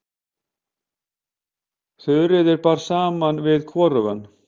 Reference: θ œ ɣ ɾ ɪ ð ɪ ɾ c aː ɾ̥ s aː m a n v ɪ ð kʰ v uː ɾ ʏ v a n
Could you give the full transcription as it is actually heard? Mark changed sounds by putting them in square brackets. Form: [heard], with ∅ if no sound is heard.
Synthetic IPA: θ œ [ð] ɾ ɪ ð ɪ ɾ [p] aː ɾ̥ s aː m a n v ɪ ð kʰ v [ɔː] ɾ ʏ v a n